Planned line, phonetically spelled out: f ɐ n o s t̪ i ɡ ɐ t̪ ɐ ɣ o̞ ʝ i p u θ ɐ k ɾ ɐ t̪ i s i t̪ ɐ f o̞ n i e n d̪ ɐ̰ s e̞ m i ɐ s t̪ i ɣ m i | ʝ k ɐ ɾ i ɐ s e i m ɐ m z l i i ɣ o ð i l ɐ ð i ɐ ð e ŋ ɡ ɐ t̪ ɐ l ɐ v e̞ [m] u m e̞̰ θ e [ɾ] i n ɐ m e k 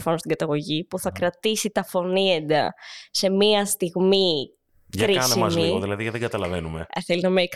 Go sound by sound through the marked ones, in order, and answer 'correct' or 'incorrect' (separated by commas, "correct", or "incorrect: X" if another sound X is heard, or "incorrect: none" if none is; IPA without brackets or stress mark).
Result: incorrect: n, incorrect: l